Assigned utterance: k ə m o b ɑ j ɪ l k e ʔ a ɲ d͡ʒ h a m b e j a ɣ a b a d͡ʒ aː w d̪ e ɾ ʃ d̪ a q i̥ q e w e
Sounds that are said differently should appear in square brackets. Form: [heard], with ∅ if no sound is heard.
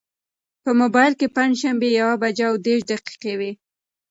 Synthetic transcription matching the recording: [p] ə m o b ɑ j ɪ l k e [p] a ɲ d͡ʒ [ʃ] a m b e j a [w] a b a d͡ʒ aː w d̪ e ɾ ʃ d̪ a q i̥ q e w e